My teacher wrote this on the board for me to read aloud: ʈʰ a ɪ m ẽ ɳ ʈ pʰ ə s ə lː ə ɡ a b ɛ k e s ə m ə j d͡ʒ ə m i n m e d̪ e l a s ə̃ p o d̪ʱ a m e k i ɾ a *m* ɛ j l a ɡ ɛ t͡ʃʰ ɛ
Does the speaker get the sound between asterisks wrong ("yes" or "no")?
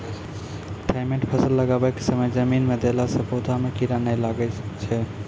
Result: yes